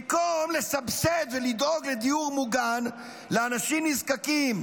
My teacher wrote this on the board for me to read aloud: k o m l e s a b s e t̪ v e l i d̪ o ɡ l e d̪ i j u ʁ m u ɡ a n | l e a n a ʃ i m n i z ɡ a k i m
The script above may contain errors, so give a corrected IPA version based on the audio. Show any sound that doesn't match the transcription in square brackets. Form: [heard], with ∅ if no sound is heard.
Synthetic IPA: k o m l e s a b s e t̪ v e l i d̪ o ɡ l e d̪ i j u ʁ m u ɡ a n | l e a n a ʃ i m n i z [k] a k i m